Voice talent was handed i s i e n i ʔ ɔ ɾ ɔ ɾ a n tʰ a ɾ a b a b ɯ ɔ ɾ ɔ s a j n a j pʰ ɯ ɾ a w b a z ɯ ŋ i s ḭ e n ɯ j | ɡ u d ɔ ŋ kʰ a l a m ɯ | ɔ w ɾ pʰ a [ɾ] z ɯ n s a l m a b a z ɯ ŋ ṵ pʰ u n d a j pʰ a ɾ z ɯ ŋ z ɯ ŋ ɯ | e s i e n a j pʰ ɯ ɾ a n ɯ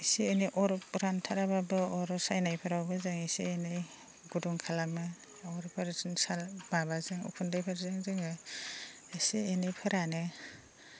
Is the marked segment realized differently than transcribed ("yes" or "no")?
no